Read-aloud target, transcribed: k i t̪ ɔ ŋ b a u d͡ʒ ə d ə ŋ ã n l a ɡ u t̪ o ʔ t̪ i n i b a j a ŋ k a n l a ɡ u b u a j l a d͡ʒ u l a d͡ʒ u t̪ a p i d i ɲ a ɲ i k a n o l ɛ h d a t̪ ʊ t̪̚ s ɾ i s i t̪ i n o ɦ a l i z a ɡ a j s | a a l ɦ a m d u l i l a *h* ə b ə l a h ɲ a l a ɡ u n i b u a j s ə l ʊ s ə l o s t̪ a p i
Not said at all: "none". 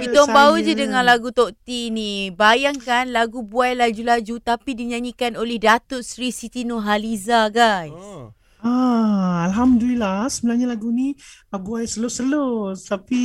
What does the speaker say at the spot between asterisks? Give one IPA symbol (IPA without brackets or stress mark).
s